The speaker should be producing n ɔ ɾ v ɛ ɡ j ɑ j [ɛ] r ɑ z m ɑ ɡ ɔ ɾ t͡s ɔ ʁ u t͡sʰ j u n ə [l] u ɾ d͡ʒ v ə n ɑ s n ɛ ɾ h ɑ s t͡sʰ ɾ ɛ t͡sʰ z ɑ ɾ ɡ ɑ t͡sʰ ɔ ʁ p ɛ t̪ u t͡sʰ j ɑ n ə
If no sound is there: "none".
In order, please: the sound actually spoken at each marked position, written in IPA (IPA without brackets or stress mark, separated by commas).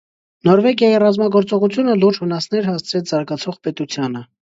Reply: i, l